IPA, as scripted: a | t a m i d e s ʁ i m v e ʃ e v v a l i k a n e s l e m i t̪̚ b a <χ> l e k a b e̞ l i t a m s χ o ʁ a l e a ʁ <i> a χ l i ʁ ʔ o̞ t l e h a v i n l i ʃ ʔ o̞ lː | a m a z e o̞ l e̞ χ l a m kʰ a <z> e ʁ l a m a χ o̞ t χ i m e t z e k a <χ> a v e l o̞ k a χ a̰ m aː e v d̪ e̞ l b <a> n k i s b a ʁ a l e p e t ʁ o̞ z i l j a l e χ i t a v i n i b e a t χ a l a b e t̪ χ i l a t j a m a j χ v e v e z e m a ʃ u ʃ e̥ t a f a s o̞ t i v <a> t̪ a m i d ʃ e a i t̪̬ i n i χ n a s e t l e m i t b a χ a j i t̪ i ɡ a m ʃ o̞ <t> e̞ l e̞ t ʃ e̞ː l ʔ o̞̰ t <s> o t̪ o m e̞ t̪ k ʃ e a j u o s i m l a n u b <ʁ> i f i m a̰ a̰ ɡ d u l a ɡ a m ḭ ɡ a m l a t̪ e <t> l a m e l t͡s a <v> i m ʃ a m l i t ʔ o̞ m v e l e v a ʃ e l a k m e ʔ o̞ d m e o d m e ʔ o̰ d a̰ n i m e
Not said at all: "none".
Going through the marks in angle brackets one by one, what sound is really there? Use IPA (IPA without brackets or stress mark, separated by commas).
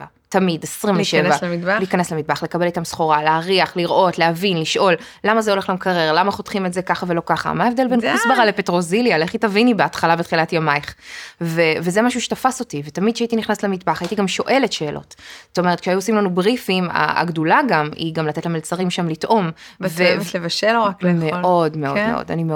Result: χ, i, ʁ, χ, e, e, ʔ, z, ʁ, t, ʁ